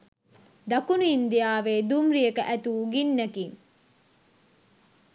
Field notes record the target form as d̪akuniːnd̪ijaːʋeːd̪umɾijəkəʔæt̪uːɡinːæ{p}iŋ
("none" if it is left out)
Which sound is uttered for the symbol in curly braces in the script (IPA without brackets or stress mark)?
k